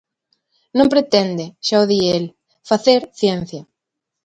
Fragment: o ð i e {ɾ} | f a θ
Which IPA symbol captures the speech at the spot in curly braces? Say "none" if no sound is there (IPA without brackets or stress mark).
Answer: l